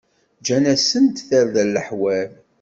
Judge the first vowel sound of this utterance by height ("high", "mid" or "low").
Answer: low